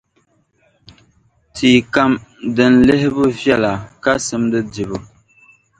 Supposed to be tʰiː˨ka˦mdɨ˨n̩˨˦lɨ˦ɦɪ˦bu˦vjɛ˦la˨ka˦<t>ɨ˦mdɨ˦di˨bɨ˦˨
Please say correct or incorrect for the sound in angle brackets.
incorrect